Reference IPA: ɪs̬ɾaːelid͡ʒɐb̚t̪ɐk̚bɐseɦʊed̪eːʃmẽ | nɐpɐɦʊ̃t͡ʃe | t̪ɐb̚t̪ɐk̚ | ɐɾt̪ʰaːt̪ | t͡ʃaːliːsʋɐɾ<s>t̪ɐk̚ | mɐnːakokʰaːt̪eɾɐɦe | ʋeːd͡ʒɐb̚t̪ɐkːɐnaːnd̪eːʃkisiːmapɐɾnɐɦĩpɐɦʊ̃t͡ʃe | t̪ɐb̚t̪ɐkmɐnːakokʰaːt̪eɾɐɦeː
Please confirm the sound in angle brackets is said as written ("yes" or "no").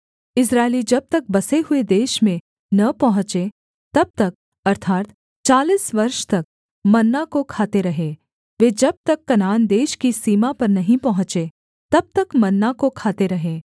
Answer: no